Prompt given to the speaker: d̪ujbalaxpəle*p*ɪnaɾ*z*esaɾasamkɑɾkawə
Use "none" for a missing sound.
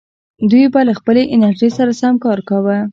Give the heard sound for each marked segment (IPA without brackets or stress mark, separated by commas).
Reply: ʔ, ʒ